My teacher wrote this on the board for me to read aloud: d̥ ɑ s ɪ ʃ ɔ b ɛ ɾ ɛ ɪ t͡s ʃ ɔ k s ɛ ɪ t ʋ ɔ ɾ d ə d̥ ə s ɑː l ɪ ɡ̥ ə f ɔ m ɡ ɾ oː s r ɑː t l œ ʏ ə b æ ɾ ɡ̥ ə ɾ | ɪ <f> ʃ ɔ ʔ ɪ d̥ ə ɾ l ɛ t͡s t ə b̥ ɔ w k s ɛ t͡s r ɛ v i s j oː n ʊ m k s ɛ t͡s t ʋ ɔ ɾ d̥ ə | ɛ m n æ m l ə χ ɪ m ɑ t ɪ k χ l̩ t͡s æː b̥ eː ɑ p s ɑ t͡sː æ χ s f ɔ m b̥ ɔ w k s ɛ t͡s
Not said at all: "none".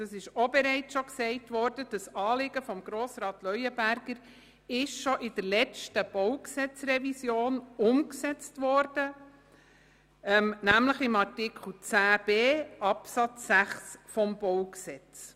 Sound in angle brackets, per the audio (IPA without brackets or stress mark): ʃ